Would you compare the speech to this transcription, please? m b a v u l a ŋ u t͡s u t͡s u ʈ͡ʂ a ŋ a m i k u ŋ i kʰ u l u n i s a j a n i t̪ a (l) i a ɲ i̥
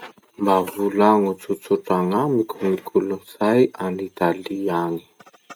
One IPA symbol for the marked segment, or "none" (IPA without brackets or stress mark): l